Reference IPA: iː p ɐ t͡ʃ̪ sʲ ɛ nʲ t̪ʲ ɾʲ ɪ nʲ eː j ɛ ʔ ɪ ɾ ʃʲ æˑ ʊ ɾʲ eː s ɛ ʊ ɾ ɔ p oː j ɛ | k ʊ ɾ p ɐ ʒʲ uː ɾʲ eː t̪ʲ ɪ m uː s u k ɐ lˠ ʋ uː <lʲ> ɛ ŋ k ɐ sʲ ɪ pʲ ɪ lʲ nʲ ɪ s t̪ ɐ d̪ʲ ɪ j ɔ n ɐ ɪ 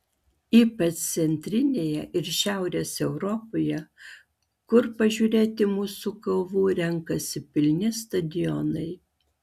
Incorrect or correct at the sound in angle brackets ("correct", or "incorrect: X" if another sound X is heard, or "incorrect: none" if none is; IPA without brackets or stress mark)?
incorrect: ɾʲ